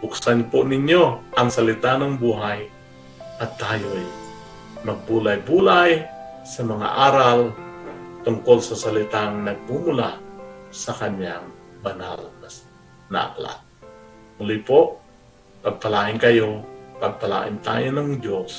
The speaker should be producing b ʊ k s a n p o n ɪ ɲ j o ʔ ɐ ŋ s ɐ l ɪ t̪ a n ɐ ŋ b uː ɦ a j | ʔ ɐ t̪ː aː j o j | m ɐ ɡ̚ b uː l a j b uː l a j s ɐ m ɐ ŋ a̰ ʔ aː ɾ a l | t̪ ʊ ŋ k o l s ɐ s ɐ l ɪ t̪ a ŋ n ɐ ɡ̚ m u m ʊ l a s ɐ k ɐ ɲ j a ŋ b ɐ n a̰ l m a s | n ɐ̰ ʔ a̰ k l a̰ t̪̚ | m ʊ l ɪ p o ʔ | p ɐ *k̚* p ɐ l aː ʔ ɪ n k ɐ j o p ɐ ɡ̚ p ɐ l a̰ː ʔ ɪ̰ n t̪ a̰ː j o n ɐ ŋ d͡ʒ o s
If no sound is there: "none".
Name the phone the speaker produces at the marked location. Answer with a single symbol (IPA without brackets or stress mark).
ɡ̚